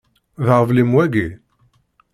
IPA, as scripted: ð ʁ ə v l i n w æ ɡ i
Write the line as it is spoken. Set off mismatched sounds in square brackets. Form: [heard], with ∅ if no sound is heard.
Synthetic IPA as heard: ð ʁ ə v l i [m] w æ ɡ i

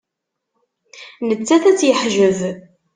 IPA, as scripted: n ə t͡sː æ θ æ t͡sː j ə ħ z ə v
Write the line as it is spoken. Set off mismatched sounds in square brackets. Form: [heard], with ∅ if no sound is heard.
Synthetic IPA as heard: n ə t͡sː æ θ æ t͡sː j ə ħ [ʒ] ə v

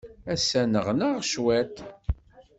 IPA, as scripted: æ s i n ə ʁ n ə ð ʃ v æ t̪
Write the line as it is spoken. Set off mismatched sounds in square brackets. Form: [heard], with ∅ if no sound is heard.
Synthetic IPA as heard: æ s [æ] n ə ʁ n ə [ʁ] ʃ [w] æ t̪

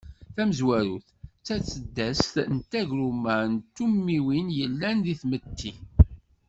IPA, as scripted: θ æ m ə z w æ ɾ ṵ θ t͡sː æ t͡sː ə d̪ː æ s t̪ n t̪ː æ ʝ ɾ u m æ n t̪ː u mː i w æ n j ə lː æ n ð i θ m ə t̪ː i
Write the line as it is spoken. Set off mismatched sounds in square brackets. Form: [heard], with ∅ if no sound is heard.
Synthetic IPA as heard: θ æ m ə z w æ ɾ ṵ θ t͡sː æ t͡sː ə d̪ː æ s t̪ n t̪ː æ ʝ ɾ u m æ n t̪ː u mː i w [i] n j ə lː æ n ð i θ m ə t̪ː i

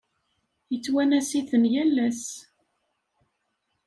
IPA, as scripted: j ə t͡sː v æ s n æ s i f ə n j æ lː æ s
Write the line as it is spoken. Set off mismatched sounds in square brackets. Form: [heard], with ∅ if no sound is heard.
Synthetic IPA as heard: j ə t͡sː [w] æ [∅] n æ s i [θ] ə n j æ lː æ s

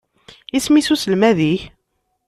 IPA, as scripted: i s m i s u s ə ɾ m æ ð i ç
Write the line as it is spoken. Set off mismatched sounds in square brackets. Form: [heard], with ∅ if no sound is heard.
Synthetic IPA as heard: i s m i s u s ə [l] m æ ð i ç

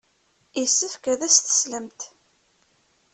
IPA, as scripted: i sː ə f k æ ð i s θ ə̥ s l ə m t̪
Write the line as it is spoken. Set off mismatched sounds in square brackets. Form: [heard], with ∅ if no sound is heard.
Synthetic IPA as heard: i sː ə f k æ ð [æ] s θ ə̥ s l ə m t̪

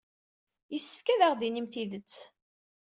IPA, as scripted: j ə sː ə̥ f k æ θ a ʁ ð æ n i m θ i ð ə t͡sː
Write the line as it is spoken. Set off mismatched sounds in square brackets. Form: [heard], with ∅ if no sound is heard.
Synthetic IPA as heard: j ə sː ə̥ f k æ [ð] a ʁ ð [i] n i m θ i ð ə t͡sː

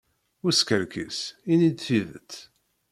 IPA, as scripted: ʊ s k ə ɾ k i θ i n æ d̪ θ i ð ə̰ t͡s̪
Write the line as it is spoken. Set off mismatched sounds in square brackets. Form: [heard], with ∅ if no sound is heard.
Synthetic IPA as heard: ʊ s k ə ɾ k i [s] i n [i] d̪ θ i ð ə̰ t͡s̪

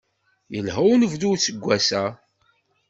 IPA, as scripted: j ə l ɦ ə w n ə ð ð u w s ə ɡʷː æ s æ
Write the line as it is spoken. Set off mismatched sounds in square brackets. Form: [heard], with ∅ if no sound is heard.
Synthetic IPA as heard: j ə l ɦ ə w n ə [v] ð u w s ə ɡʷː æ s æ

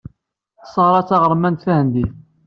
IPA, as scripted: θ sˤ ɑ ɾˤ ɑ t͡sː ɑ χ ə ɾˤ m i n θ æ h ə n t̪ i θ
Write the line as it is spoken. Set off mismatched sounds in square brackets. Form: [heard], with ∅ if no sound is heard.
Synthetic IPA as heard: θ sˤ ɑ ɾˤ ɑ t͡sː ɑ [ʁ] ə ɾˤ m [æ] n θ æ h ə n [d̪] i θ

